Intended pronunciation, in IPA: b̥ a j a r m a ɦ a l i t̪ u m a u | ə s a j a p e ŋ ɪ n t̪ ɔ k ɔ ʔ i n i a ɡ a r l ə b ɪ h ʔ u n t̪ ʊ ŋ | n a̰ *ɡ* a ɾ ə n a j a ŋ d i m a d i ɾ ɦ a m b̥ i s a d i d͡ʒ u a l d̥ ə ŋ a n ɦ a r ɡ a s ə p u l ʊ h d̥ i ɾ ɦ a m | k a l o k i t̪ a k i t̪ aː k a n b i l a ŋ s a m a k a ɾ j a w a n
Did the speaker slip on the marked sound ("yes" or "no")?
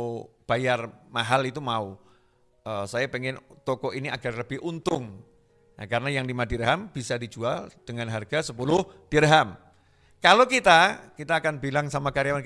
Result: yes